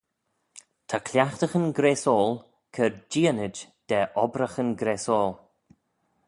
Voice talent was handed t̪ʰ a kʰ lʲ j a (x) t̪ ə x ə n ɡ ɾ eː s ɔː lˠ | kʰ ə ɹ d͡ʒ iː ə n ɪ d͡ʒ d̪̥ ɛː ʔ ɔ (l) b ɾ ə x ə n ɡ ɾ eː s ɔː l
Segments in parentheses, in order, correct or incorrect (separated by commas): correct, incorrect